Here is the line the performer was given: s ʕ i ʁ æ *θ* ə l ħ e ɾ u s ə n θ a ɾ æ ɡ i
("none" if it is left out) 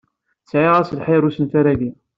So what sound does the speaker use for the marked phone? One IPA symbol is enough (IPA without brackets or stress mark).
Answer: s